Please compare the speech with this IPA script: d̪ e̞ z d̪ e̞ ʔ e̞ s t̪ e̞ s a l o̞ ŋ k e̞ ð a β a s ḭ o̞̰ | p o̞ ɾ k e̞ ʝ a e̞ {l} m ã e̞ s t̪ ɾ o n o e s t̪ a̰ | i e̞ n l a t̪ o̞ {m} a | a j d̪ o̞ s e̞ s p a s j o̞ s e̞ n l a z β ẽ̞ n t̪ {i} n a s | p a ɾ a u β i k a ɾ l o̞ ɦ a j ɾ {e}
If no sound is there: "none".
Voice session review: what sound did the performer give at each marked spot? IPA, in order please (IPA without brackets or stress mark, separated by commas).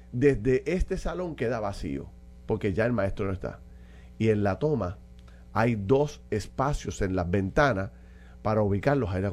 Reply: l, m, a, a